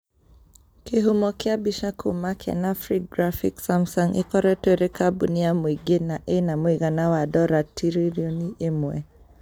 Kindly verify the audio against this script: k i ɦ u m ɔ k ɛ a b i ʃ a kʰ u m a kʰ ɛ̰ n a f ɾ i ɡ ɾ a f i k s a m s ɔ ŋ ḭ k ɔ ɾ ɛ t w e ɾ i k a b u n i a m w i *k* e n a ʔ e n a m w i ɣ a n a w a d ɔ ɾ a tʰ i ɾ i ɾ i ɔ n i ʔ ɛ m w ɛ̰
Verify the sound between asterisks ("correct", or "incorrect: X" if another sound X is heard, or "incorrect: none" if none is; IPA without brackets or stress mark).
incorrect: ɡ